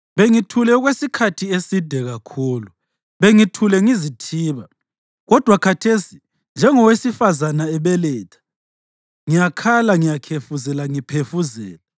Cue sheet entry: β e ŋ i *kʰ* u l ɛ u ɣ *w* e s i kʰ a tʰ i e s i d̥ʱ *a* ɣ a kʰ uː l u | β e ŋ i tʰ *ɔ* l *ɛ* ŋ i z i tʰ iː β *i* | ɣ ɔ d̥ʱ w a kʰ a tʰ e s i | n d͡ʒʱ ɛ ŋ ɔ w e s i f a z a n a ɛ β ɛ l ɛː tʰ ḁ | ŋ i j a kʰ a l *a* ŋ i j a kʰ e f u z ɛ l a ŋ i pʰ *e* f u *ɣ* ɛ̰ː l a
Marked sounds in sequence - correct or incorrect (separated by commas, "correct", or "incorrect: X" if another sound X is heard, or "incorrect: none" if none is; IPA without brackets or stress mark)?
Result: incorrect: tʰ, correct, incorrect: ɛ, incorrect: u, correct, incorrect: a, correct, correct, incorrect: z